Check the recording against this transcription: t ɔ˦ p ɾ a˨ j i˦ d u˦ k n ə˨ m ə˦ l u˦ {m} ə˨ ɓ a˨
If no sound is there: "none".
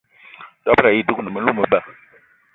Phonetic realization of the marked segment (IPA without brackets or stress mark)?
m